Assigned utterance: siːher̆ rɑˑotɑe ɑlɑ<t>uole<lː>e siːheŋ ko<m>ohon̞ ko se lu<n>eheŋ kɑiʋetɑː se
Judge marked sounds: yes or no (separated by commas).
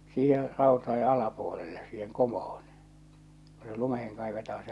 no, yes, yes, no